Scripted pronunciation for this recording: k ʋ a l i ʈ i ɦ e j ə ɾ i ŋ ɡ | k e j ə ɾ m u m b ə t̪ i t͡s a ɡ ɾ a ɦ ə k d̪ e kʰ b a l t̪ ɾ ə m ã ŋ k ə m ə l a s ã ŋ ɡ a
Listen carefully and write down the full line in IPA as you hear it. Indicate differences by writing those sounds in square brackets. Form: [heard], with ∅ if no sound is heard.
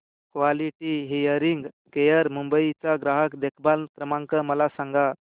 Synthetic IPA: k ʋ a l i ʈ i ɦ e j ə ɾ i ŋ ɡ | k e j ə ɾ m u m b ə [∅] i t͡s a ɡ ɾ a ɦ ə k d̪ e kʰ b a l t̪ ɾ ə m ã ŋ k ə m ə l a s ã ŋ ɡ a